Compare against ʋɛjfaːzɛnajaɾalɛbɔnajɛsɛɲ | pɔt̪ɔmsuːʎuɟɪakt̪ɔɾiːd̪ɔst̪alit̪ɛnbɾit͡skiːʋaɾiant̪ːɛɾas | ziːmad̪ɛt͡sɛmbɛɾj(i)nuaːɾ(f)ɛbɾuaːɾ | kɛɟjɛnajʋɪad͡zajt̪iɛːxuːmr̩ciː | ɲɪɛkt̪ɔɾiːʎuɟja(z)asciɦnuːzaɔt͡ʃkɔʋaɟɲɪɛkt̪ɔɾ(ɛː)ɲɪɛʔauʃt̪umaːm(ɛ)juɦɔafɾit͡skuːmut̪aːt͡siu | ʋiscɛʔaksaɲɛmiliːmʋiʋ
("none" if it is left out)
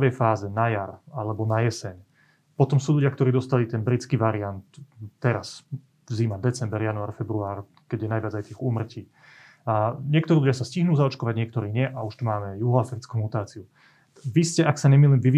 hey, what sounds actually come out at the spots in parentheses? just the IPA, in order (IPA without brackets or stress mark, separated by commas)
a, f, s, iː, ɛ